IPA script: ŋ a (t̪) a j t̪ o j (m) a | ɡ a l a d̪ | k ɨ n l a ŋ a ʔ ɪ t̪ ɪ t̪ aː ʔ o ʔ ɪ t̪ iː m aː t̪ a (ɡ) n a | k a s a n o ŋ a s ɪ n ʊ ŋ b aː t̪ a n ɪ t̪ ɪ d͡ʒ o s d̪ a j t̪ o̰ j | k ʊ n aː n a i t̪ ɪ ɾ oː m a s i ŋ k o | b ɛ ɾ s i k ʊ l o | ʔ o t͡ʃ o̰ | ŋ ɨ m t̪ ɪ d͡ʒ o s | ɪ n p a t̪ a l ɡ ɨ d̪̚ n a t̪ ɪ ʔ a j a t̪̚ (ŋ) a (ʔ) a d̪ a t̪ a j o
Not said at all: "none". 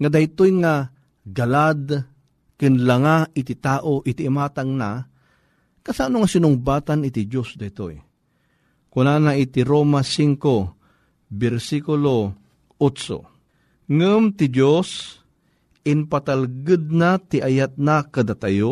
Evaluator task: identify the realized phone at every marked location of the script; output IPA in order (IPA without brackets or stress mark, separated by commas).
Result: d̪, ŋ, ŋ, n, k